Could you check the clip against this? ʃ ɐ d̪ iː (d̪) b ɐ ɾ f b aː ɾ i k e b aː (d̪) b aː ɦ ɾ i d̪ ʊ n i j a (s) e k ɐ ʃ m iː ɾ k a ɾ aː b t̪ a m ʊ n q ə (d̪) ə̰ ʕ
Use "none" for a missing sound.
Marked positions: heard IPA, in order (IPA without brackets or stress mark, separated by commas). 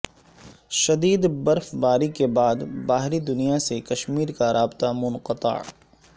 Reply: d̪, d̪, s, t̪